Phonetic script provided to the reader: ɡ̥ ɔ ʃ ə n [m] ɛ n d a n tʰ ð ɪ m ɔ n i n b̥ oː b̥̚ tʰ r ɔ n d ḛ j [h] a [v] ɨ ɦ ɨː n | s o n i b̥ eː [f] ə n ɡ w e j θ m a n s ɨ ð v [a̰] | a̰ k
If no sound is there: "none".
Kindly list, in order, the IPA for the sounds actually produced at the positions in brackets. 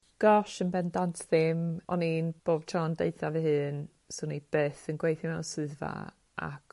b, θ, v, θ, a̰

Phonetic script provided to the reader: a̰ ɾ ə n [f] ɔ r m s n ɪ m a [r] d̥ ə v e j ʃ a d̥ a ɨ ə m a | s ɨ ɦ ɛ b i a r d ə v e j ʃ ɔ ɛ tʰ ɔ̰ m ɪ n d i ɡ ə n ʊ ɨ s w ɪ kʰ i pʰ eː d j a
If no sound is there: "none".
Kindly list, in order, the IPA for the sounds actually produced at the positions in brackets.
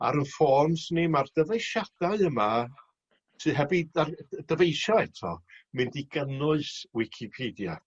f, r

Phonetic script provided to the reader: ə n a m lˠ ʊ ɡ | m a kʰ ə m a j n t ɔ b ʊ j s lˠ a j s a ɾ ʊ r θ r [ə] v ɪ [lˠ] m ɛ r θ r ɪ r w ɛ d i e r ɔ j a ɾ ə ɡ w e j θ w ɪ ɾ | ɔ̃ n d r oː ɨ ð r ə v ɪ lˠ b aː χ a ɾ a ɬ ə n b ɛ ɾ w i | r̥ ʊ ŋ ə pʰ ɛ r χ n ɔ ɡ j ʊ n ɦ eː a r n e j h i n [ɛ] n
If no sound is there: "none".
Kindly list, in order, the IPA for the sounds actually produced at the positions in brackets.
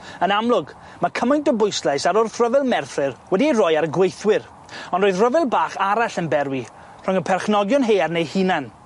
ə, lˠ, a

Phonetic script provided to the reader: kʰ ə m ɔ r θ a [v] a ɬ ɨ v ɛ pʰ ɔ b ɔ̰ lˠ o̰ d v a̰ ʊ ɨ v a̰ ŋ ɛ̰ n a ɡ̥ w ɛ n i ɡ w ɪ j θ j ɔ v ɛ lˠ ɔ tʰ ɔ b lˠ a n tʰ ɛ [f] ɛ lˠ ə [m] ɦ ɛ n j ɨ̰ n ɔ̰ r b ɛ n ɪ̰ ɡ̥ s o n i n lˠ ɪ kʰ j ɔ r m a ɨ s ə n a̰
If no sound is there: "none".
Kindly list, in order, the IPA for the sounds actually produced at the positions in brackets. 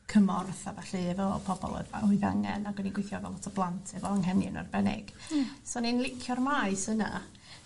v, v, ŋ

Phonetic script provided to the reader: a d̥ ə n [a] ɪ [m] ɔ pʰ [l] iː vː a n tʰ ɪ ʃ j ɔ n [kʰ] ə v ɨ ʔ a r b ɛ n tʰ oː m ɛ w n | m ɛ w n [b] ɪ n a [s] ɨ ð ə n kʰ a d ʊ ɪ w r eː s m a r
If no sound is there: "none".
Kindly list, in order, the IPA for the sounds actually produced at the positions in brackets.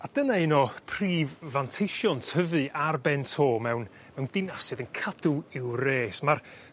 a, n, r, tʰ, d, s

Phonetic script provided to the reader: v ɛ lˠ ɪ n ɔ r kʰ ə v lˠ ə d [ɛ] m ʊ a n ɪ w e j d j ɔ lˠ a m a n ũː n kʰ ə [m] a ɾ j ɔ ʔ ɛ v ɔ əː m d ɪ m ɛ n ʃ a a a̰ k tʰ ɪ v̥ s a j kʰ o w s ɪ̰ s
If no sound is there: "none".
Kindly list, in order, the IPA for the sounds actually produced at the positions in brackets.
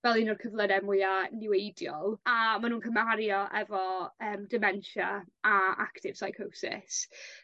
ɛ, m

